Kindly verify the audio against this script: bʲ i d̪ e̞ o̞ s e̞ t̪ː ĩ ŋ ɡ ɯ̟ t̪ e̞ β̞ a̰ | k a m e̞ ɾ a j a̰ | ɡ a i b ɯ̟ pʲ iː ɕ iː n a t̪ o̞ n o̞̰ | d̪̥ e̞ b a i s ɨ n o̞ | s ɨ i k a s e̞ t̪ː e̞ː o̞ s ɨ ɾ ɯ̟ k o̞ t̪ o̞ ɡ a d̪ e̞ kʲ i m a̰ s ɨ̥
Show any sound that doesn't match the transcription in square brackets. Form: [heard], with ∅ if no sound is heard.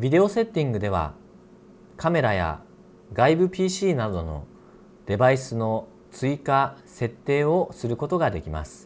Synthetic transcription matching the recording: bʲ i d̪ e̞ o̞ s e̞ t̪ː ĩ ŋ ɡ ɯ̟ [d̪] e̞ β̞ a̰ | k a m e̞ ɾ a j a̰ | ɡ a i b ɯ̟ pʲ iː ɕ iː n a [d̪] o̞ n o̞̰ | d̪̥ e̞ b a i s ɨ n o̞ | [t͡s] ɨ i k a s e̞ t̪ː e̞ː o̞ s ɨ ɾ ɯ̟ k o̞ t̪ o̞ ɡ a d̪ e̞ kʲ i m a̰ s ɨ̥

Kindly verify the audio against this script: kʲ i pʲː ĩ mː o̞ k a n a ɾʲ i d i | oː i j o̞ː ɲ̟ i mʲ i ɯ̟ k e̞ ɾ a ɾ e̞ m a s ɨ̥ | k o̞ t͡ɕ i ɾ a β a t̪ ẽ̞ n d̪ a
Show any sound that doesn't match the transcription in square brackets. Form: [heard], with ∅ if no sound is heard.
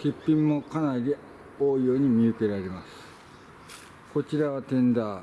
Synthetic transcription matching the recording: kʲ i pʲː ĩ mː o̞ k a n a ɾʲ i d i | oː i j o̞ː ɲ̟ i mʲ i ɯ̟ k e̞ ɾ a ɾ e̞ m a s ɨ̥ | k o̞ t͡ɕ i ɾ a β a t̪ ẽ̞ n d̪ a

